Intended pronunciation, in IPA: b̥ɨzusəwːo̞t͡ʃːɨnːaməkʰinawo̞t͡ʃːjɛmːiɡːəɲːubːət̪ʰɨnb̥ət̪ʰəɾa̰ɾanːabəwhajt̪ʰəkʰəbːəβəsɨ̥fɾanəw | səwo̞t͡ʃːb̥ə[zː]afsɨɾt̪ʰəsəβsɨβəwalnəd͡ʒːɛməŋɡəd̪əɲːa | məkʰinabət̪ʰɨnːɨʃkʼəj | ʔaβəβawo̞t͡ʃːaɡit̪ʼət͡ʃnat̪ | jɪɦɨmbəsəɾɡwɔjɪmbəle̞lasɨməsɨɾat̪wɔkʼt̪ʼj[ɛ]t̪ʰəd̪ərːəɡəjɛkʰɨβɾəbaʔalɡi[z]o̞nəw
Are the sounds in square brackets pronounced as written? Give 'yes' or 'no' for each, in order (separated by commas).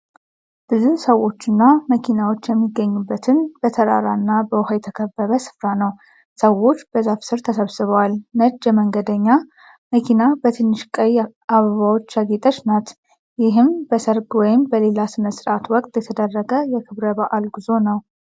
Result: no, yes, yes